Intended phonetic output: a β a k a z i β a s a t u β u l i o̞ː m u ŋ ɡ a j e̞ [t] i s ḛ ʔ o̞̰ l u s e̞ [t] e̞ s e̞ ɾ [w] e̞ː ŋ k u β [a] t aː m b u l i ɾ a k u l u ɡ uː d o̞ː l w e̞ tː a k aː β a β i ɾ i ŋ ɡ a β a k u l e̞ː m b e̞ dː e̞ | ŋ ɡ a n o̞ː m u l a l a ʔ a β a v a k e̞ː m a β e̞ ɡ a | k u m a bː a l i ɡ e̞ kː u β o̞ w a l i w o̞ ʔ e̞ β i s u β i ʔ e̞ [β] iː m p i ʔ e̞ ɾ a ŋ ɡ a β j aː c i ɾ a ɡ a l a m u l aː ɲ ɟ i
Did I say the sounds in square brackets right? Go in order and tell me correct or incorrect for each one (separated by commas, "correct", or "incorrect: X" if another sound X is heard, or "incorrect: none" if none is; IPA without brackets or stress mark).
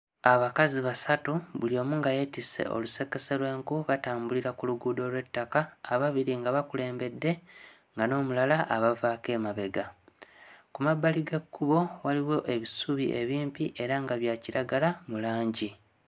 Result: correct, incorrect: k, correct, correct, correct